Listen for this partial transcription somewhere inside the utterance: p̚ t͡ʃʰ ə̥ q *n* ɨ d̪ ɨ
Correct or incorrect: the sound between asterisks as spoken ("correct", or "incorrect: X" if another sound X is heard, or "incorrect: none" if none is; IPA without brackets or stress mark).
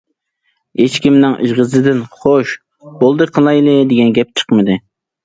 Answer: incorrect: m